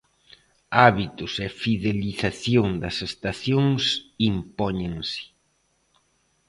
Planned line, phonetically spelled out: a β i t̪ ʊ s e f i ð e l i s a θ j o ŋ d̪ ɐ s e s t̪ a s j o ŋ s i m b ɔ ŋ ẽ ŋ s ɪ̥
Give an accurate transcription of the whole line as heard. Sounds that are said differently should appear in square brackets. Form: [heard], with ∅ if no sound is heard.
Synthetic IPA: a β i t̪ ʊ s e f i ð e l i [θ] a θ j o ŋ d̪ ɐ s e s t̪ a [θ] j o ŋ s i m [p] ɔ [ɲ] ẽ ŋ s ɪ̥

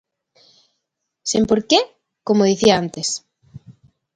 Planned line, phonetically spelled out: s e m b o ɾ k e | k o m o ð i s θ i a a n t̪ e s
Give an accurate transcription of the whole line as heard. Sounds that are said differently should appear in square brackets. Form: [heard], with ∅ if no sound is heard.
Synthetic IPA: s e m [p] o ɾ k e | k o m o ð i [∅] θ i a a n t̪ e s

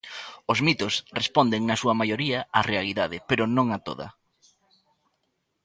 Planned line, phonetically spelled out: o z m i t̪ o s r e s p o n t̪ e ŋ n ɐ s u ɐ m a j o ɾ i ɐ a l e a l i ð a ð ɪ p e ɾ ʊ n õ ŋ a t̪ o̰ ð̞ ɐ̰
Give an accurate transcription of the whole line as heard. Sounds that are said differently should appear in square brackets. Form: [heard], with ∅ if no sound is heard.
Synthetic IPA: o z m i t̪ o s r e s p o n [d̪] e ŋ n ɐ s u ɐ m a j o ɾ i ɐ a [r] e a l i ð a ð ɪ p e ɾ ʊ n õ ŋ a t̪ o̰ ð̞ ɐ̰

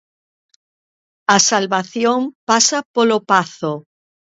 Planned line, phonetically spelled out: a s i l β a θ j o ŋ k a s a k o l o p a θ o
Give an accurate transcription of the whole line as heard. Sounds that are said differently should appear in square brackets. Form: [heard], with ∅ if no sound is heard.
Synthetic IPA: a s [a] l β a θ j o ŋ [p] a s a [p] o l o p a θ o

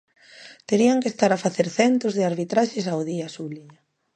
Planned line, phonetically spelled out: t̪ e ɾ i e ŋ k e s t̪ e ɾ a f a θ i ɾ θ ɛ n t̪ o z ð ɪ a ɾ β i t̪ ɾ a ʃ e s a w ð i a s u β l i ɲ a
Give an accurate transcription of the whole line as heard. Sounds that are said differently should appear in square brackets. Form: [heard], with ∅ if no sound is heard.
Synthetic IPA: t̪ e ɾ i [a] ŋ k e s t̪ [a] ɾ a f a θ [e] ɾ θ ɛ n t̪ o z ð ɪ a ɾ β i t̪ ɾ a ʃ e s a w ð i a s u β l i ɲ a

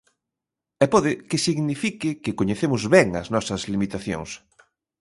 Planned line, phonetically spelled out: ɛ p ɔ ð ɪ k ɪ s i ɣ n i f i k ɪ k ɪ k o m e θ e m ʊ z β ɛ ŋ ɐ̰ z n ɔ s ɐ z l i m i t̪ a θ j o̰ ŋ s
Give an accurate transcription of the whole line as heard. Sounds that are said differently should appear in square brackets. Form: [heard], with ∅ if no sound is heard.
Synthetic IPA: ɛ p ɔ ð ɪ k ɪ s i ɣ n i f i k ɪ k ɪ k o [ɲ] e θ e m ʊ z β ɛ ŋ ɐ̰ z n ɔ s ɐ z l i m i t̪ a θ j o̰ ŋ s

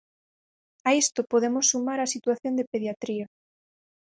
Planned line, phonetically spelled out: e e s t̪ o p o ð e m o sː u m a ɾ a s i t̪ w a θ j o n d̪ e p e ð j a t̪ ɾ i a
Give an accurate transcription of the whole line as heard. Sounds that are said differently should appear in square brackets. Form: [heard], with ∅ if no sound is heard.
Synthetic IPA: [a] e s t̪ o p o ð e m o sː u m a ɾ a s i t̪ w a θ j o n d̪ e p e ð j a t̪ ɾ i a

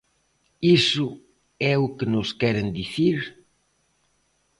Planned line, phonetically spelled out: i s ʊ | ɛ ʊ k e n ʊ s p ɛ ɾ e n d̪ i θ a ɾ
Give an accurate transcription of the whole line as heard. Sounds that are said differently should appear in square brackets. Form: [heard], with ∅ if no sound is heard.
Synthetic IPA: i s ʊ | ɛ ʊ k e n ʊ s [k] ɛ ɾ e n d̪ i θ [i] ɾ

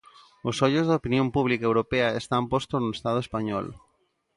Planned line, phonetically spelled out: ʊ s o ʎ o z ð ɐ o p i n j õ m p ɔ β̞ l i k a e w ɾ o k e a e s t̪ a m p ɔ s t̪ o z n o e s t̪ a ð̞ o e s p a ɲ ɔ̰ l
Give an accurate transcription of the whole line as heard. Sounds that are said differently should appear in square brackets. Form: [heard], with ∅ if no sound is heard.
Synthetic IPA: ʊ s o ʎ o z ð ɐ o p i n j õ m p [u] β̞ l i k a e w ɾ o [p] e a e s t̪ a m p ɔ s t̪ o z n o e s t̪ a ð̞ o e s p a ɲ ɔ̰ l

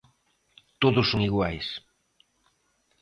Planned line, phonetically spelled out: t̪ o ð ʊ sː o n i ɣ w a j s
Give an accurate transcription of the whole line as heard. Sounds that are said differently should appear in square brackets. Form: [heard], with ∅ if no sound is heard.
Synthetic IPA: t̪ o ð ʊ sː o [ŋ] i ɣ w a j s

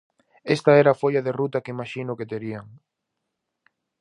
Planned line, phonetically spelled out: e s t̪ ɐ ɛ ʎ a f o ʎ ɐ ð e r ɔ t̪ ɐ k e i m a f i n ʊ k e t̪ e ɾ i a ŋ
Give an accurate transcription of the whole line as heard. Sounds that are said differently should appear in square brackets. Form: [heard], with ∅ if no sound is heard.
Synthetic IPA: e s t̪ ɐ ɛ [ɾ] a f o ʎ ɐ ð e r [u] t̪ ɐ k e i m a [ʃ] i n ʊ k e t̪ e ɾ i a ŋ

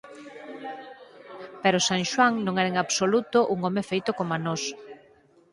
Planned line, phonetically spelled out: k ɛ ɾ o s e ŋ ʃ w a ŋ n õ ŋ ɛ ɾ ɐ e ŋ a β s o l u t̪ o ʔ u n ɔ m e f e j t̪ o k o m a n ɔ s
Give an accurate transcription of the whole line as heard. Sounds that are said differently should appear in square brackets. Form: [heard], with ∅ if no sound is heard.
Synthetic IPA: [p] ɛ ɾ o s [a] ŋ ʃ w a ŋ n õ ŋ ɛ ɾ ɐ e ŋ a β s o l u t̪ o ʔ u [ŋ] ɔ m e f e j t̪ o k o m a n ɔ s

